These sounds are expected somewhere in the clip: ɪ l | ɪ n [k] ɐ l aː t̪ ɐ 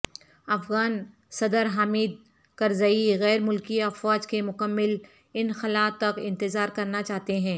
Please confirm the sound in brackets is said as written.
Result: no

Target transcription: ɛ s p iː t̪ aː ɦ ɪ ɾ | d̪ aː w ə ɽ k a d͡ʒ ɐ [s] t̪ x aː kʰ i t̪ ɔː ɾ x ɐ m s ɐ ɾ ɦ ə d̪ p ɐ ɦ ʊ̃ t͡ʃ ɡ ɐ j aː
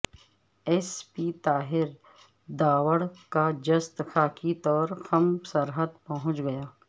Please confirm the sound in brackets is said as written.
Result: yes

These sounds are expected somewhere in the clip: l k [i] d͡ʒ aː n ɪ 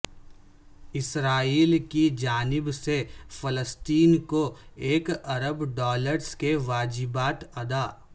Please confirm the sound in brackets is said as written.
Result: yes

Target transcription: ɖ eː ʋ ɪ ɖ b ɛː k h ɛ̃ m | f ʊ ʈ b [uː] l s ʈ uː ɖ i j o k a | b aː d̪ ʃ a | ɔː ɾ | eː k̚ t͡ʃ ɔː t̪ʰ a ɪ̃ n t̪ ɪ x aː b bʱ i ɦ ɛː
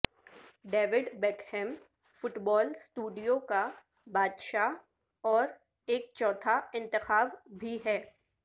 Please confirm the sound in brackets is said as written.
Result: no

